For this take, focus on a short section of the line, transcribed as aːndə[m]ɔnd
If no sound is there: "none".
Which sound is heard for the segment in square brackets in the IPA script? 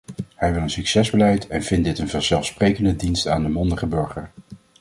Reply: m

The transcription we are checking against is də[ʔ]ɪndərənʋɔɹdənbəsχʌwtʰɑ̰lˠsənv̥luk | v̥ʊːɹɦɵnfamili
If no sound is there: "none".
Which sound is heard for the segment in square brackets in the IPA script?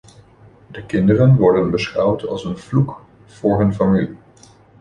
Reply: k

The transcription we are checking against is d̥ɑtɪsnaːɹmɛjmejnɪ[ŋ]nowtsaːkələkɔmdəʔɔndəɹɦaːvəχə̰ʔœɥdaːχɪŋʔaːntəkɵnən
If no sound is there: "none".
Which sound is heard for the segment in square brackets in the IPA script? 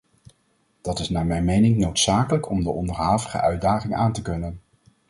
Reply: ŋ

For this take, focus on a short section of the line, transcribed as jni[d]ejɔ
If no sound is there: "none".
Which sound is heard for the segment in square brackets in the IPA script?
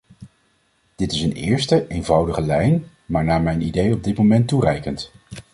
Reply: d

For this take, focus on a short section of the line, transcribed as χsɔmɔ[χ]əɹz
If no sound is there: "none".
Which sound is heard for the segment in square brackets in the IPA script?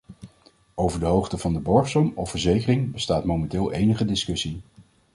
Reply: f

